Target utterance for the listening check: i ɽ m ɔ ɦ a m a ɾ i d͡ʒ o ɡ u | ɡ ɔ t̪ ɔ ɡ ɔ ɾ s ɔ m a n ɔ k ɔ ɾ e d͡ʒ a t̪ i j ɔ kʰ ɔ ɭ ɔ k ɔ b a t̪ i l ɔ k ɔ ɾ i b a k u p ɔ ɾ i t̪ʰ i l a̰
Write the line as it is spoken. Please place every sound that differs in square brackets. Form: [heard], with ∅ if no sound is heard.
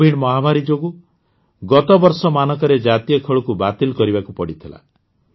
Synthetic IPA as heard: i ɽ m ɔ ɦ a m a ɾ i d͡ʒ o ɡ u | ɡ ɔ t̪ ɔ [b] ɔ ɾ s ɔ m a n ɔ k ɔ ɾ e d͡ʒ a t̪ i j ɔ kʰ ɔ ɭ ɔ k [u] b a t̪ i l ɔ k ɔ ɾ i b a k u p ɔ [ɽ] i t̪ʰ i l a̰